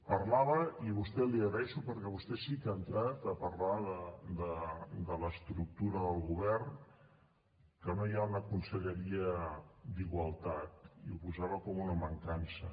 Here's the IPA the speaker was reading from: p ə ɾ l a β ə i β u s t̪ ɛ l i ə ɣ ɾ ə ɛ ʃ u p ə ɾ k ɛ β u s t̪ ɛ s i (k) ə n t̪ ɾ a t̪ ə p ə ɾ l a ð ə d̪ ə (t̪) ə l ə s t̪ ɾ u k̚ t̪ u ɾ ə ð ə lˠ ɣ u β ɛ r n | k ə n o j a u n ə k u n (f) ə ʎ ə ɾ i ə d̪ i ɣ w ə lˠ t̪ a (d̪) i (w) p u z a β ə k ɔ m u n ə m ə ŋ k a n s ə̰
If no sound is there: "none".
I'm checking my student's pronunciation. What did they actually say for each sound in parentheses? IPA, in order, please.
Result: k, d̪, s, t̪, u

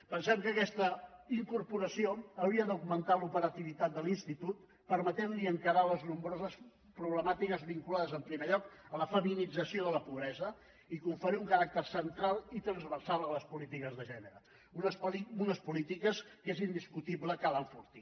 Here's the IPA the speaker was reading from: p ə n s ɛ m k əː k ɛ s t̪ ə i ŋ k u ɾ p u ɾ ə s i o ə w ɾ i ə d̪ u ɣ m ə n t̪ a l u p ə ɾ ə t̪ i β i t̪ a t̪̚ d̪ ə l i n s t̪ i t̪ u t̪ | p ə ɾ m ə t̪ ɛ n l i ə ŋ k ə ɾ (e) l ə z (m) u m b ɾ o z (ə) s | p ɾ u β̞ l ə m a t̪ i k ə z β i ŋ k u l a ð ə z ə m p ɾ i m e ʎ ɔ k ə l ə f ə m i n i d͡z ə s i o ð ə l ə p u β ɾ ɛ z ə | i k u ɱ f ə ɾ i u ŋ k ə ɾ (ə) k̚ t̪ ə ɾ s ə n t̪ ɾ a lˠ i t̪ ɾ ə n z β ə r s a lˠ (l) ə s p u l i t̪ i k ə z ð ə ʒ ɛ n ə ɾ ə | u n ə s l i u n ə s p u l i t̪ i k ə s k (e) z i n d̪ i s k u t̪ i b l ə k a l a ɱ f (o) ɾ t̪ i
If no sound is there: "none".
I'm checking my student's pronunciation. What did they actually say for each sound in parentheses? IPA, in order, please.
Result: a, n, ə, a, l, e, u

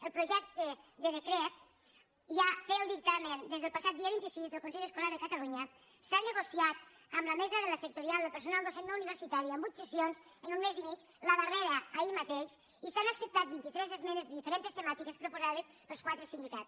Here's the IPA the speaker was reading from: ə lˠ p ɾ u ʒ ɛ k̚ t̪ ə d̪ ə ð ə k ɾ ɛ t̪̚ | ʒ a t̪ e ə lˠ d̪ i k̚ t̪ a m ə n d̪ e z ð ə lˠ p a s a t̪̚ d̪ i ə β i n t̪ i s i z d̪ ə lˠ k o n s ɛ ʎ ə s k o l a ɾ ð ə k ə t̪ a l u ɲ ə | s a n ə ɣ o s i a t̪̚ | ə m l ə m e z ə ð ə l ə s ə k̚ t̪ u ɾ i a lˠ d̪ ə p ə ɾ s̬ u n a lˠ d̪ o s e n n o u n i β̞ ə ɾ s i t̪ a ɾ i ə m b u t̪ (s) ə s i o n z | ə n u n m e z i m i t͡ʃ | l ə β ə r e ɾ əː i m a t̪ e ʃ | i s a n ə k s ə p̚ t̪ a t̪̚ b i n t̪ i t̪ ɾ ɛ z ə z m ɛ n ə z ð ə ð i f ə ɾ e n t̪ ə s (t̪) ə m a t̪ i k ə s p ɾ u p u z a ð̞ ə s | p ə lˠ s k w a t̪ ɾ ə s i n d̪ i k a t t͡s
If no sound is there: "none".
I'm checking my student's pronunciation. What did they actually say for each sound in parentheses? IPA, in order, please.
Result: s, t̪

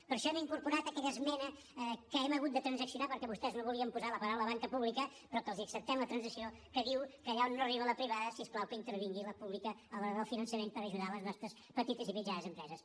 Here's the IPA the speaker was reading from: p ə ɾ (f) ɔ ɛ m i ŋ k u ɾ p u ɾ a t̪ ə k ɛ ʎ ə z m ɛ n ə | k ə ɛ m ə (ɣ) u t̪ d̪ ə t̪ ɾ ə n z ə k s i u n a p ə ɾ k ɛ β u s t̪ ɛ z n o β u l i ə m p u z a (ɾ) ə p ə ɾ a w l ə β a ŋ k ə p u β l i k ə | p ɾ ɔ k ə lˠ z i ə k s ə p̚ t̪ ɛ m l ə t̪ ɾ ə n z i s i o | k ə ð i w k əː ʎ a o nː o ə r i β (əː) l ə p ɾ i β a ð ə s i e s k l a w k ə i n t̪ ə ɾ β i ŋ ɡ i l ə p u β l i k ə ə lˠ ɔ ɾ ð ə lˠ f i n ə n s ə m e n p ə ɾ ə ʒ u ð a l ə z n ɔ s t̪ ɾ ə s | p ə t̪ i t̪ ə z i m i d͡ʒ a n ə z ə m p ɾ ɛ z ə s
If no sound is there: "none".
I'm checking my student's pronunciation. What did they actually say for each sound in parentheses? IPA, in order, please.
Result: ʃ, ɣ, l, ə

